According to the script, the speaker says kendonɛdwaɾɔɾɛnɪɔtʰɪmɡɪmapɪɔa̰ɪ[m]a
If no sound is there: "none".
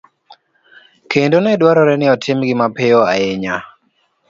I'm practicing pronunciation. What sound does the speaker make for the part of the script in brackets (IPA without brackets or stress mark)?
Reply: ɲ